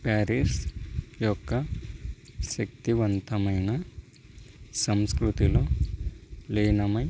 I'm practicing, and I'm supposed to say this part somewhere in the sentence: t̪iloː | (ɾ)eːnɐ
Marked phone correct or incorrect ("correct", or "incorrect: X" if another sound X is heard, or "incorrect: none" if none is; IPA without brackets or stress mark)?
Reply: incorrect: l